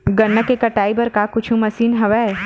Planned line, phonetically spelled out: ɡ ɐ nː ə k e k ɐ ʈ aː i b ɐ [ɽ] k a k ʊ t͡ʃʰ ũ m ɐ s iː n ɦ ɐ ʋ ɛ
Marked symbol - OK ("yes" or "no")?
no